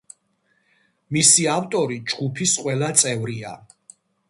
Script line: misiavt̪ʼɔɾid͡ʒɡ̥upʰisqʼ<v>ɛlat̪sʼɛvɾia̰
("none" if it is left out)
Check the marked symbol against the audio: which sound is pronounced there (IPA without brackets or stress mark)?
w